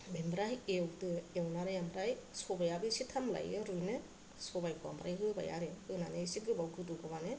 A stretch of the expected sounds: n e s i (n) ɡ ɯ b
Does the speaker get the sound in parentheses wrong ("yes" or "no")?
yes